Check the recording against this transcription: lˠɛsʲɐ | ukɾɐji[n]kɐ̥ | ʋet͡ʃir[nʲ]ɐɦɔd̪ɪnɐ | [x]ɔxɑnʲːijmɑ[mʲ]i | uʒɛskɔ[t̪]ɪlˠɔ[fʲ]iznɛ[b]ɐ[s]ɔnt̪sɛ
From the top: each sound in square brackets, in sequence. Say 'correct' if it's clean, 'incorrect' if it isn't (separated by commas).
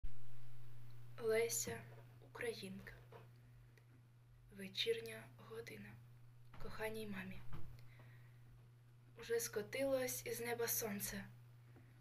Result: correct, correct, incorrect, correct, correct, incorrect, correct, correct